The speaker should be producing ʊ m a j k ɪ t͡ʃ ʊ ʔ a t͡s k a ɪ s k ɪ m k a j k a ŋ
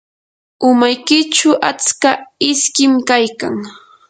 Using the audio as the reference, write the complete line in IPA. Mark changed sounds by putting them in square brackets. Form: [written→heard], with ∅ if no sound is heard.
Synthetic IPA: ʊ m a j k ɪ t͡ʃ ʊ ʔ a t͡s k a ɪ s k ɪ m k a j k a ŋ